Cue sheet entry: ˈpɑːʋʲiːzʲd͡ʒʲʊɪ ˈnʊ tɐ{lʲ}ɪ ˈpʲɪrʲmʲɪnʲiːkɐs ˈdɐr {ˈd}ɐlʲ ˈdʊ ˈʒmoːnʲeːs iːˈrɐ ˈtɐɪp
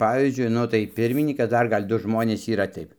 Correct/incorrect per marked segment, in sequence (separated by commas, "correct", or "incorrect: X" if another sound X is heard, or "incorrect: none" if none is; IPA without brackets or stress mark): incorrect: none, incorrect: ɡ